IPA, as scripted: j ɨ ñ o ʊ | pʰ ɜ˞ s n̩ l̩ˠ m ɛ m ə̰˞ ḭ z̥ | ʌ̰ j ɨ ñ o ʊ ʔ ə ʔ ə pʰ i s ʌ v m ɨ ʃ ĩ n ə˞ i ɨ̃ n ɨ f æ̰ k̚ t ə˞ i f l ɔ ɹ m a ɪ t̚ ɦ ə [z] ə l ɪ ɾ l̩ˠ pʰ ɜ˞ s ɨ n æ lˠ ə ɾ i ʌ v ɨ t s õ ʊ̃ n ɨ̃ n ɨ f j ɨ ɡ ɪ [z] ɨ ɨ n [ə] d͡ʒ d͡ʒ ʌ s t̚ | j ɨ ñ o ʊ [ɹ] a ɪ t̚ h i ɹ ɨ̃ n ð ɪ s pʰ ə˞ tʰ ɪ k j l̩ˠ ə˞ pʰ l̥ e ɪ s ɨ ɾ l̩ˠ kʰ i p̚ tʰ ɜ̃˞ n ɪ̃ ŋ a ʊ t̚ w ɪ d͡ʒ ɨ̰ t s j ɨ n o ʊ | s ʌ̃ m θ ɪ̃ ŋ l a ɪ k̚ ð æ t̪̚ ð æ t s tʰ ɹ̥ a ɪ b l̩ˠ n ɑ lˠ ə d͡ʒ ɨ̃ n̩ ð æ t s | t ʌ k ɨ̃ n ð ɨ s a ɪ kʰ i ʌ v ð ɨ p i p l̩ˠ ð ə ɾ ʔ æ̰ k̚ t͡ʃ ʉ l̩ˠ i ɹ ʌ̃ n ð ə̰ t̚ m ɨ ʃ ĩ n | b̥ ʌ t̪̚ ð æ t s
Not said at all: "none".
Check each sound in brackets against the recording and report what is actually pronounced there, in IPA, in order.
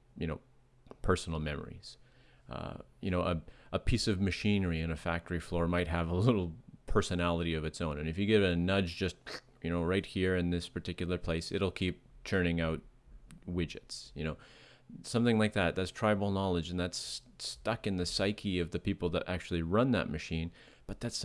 v, v, ʌ, ɹ

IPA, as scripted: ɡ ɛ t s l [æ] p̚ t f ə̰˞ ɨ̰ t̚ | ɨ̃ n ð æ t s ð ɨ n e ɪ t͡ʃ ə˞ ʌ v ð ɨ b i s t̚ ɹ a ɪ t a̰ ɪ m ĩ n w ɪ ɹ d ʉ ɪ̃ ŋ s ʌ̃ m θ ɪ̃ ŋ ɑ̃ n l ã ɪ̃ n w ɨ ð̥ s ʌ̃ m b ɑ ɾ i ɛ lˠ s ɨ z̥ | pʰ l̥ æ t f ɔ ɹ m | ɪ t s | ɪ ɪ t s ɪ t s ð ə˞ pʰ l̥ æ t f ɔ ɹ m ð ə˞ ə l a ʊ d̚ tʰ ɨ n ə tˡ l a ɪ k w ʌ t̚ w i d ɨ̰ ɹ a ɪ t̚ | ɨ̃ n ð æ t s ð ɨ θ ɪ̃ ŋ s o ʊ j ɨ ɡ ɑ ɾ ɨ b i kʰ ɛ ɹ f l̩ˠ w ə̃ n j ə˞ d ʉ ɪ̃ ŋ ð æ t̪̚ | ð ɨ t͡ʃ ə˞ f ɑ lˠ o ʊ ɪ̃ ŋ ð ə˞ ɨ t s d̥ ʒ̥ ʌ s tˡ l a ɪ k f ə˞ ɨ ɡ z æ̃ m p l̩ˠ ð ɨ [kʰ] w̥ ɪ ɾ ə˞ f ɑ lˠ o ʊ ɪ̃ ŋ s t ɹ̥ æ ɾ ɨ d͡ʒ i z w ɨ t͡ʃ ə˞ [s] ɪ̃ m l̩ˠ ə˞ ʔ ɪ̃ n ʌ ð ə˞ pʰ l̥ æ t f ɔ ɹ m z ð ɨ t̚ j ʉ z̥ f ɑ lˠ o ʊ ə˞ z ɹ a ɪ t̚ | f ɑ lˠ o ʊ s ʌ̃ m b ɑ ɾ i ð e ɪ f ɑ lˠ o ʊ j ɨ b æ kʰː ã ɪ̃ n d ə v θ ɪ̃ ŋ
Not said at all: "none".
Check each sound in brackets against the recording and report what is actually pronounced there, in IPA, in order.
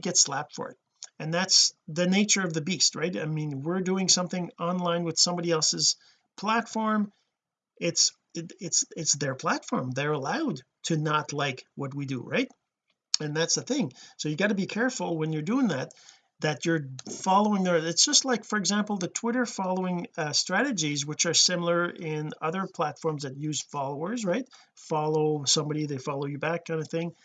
æ, tʰ, s

